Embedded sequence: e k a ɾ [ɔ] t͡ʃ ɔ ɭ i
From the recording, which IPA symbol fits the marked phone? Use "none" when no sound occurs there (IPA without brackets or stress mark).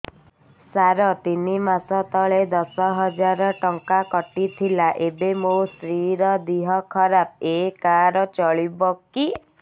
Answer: ɔ